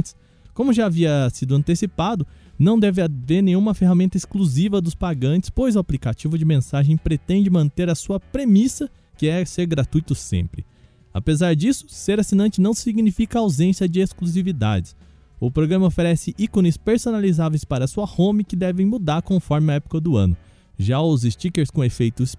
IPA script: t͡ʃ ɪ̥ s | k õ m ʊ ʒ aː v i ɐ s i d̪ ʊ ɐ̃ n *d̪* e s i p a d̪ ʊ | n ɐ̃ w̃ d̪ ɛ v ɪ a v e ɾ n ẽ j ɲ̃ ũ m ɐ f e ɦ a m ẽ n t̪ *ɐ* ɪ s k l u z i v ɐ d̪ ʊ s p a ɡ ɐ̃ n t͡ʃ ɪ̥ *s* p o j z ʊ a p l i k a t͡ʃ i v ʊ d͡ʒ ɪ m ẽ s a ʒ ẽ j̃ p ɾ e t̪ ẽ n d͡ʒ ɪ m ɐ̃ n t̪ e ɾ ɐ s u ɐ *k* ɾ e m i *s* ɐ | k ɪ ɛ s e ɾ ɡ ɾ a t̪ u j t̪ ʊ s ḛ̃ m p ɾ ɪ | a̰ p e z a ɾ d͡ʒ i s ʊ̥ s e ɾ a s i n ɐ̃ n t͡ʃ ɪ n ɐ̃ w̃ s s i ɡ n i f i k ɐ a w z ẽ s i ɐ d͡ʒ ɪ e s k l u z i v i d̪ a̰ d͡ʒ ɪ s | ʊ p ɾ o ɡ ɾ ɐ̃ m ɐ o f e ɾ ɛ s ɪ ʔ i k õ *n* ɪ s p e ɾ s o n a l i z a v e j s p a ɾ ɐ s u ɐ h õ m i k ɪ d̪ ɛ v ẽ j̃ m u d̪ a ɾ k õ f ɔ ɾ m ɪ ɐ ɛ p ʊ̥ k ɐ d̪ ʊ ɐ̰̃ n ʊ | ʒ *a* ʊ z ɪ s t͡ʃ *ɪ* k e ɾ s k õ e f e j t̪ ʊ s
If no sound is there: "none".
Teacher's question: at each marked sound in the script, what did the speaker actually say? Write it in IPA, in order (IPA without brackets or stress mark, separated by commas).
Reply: t̪, ɐ, s, p, s, n, a, i